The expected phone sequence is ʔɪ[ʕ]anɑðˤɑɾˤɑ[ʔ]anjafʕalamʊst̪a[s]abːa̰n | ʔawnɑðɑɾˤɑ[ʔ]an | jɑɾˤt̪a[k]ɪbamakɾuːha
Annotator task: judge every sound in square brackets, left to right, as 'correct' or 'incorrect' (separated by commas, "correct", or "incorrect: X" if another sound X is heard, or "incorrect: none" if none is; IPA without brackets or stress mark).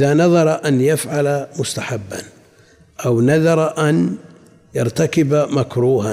incorrect: ð, correct, incorrect: ħ, correct, correct